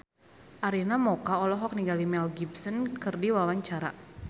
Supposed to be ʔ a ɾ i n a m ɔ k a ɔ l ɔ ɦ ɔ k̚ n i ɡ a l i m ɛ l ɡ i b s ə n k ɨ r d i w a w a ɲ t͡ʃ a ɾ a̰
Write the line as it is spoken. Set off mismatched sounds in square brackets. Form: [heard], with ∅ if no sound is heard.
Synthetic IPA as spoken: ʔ a ɾ i n a m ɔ k a ɔ l ɔ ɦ ɔ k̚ n i ɡ a l i m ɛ l ɡ i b s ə n k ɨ r d i w a w a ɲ t͡ʃ a ɾ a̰

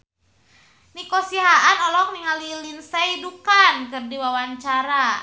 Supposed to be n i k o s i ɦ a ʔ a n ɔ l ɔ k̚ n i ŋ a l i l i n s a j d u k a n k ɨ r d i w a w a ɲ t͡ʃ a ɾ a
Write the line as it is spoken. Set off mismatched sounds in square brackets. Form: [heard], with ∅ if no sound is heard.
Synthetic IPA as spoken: n i k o s i ɦ a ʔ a n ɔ l ɔ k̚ n i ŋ a l i l i n s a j d u k a n k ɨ r d i w a w a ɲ t͡ʃ a ɾ a

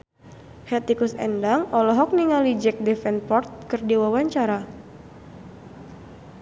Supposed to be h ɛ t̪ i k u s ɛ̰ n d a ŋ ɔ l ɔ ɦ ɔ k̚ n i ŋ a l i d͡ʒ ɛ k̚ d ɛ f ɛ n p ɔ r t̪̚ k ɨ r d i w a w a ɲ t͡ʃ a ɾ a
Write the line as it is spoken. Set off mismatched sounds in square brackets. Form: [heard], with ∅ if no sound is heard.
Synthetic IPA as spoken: h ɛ t̪ i k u s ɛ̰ n d a ŋ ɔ l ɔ ɦ ɔ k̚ n i ŋ a l i d͡ʒ ɛ k̚ d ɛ f ɛ n p ɔ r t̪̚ k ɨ r d i w a w a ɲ t͡ʃ a ɾ a

